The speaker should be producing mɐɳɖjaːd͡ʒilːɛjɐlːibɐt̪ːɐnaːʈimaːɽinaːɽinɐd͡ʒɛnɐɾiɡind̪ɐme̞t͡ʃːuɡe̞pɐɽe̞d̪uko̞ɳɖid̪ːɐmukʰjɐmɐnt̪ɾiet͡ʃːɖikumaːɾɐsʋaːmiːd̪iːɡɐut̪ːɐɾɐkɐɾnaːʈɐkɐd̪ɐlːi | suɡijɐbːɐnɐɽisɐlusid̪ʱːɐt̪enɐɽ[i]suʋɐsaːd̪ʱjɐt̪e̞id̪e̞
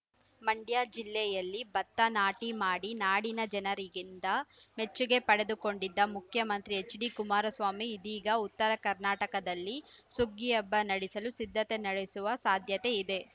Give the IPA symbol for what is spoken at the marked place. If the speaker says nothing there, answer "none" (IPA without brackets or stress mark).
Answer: e